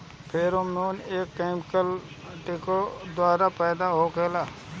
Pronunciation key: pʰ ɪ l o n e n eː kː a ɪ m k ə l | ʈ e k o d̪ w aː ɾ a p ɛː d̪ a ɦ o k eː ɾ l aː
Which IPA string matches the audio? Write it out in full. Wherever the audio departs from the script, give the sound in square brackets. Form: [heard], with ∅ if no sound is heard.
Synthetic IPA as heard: pʰ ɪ [ɾ] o [m] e n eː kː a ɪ m k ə l | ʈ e k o d̪ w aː ɾ a p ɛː d̪ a ɦ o k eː [∅] l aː